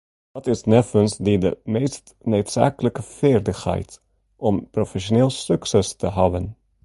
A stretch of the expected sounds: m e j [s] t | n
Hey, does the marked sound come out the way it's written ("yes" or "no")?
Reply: yes